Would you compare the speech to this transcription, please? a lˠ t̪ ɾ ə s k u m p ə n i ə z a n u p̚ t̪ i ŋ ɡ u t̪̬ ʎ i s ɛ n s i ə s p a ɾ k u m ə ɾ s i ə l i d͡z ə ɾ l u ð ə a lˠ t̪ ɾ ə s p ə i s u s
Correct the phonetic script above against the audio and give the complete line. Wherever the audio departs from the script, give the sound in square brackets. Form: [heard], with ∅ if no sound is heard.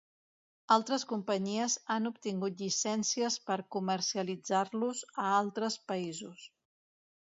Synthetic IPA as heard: a lˠ t̪ ɾ ə s k u m p ə [ɲ] i ə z a n u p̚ t̪ i ŋ ɡ u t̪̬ ʎ i s ɛ n s i ə s p [ə] ɾ k u m ə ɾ s i ə l i d͡z [a] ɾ l u [z] ə a lˠ t̪ ɾ ə s p ə i [z] u s